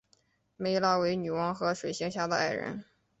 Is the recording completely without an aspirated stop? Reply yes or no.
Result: yes